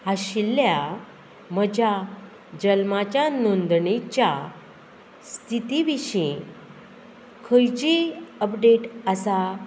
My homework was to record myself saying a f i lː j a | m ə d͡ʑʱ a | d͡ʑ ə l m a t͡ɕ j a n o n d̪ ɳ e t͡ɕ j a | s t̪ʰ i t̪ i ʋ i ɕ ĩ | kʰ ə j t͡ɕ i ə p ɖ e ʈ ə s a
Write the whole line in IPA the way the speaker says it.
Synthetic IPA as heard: a ɕ i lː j a | m ə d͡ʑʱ a | d͡ʑ ə l m a t͡ɕ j a n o n d̪ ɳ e t͡ɕ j a | s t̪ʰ i t̪ i ʋ i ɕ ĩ | kʰ ə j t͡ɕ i ə p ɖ e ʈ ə s a

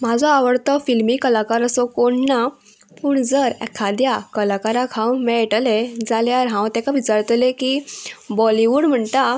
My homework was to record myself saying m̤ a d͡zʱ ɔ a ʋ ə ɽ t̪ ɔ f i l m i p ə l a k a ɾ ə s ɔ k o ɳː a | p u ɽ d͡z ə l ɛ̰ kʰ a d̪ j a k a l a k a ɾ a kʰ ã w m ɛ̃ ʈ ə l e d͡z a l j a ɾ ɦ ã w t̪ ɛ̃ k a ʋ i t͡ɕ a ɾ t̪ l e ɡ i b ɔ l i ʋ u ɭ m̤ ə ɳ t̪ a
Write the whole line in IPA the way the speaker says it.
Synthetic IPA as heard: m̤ a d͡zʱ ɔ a ʋ ə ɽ t̪ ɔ f i l m i k ə l a k a ɾ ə s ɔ k o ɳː a | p u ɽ d͡z ə ɾ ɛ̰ kʰ a d̪ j a k ə l a k a ɾ a kʰ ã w m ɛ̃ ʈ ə l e d͡z a l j a ɾ ɦ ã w t̪ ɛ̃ k a ʋ i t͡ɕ a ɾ t̪ l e k i b ɔ l i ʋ u ɽ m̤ ə ɳ t̪ a

